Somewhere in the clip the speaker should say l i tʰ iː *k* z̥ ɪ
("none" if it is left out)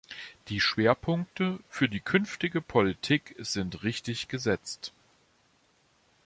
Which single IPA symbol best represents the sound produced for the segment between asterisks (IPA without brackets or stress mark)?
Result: k